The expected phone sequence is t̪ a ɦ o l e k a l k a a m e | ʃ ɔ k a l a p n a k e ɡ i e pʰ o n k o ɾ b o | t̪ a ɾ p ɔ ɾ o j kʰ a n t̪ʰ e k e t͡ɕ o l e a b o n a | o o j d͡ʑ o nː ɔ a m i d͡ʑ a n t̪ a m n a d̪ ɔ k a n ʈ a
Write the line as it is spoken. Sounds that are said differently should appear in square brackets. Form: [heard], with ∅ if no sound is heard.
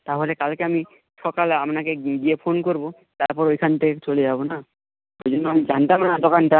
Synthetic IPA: t̪ a ɦ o l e k a l k [e] a m [i] | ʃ ɔ k a l a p n a k e ɡ i e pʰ o n k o ɾ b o | t̪ a ɾ p ɔ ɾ o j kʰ a n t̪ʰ e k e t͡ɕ o l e a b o n a | o o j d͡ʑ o nː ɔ a m i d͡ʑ a n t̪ a m n a d̪ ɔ k a n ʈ a